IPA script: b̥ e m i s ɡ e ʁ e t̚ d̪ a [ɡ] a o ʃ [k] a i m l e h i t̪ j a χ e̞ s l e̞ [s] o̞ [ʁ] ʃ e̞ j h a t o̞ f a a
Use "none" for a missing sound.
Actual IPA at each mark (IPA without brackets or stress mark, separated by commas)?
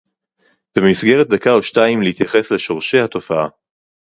k, t, ʃ, ʁ